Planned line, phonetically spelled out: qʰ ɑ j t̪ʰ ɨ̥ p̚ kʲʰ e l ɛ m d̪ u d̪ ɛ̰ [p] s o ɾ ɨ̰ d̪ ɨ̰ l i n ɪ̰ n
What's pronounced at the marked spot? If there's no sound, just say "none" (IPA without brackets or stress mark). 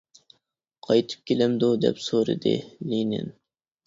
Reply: p